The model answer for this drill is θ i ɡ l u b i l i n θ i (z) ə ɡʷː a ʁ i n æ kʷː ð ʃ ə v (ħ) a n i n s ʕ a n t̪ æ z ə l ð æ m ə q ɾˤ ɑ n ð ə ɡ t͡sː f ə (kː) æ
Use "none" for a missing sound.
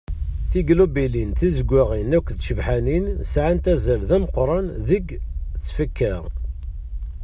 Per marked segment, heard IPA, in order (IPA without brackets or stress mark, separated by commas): z, ħ, kː